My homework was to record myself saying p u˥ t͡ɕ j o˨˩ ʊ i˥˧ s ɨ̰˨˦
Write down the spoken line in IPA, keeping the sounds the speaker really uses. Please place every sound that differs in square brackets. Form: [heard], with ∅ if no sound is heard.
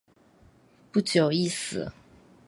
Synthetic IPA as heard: p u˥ t͡ɕ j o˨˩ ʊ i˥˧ s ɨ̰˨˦